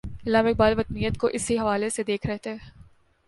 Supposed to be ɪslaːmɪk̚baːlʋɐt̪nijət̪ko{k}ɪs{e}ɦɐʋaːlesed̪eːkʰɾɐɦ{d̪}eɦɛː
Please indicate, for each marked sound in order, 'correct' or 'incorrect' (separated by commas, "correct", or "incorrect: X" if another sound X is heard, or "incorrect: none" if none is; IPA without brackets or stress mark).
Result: incorrect: ʔ, incorrect: i, incorrect: t̪